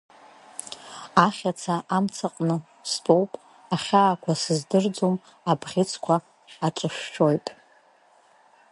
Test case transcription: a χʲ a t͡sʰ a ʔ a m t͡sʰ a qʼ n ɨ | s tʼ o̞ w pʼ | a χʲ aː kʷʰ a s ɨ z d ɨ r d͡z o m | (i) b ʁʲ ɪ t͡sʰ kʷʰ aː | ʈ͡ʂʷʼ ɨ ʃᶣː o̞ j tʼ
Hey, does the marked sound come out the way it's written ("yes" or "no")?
no